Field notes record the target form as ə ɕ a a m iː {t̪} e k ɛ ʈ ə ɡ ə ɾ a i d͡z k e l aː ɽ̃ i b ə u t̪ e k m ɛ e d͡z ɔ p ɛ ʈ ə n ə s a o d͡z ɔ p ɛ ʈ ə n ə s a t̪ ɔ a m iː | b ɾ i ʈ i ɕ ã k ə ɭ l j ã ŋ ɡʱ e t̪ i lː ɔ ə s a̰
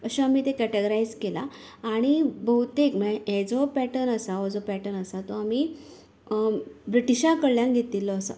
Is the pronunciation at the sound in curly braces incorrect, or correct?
correct